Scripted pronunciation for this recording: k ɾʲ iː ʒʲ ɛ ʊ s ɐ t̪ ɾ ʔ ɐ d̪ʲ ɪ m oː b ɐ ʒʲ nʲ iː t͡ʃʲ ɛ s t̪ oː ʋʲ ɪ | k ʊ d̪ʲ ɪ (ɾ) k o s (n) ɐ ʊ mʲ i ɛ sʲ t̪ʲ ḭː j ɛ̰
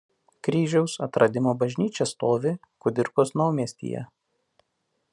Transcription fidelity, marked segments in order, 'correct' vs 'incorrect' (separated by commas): correct, correct